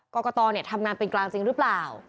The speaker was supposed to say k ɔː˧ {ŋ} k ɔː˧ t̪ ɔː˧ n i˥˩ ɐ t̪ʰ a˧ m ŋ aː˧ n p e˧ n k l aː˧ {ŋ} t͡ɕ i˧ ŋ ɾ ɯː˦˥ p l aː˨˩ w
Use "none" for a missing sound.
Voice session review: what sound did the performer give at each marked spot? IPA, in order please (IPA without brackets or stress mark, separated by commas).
none, ŋ